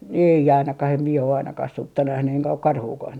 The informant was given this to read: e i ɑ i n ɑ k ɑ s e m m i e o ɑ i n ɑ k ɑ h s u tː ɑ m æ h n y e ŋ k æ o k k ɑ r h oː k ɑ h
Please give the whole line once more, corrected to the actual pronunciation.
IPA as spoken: e i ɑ i n ɑ k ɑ h e m m i e o ɑ i n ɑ k ɑ h s u tː ɑ n æ h n y e ŋ k æ o k k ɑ r h uː k ɑ h